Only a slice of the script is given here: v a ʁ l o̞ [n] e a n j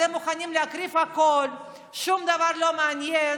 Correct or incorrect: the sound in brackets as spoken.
incorrect: m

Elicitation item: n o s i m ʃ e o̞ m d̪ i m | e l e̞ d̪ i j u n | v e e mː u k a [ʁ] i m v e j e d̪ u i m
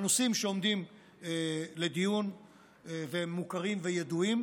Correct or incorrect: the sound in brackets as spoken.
correct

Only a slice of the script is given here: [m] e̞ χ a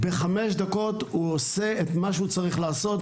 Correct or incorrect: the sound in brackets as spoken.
incorrect: b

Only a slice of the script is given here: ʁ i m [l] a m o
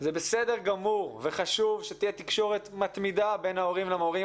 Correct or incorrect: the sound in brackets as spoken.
correct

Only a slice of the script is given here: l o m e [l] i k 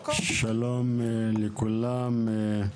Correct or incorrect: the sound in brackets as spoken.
correct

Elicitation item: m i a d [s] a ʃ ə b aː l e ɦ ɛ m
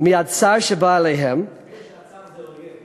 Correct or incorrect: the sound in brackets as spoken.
correct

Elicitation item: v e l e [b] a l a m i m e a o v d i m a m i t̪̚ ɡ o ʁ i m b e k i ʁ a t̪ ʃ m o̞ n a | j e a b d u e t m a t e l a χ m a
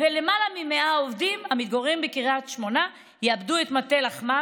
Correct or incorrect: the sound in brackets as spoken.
incorrect: m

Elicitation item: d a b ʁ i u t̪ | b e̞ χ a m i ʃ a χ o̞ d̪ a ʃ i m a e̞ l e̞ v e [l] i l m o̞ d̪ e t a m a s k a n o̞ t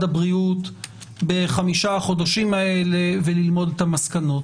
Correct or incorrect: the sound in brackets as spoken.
correct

